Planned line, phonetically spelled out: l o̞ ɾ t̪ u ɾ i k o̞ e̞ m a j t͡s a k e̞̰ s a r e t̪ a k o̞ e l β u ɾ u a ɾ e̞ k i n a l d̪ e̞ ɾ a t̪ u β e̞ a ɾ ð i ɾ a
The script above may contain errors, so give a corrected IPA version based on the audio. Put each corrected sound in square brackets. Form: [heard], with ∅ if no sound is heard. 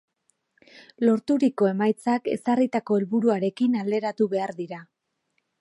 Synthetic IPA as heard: l o̞ ɾ t̪ u ɾ i k o̞ e̞ m a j t͡s a k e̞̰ s a r [i] t̪ a k o̞ e l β u ɾ u a ɾ e̞ k i n a l d̪ e̞ ɾ a t̪ u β e̞ a ɾ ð i ɾ a